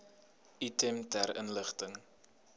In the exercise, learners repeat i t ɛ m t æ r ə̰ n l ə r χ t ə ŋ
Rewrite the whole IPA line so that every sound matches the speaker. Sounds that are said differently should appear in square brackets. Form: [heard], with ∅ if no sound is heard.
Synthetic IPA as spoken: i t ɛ m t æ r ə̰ n l ə [∅] χ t ə ŋ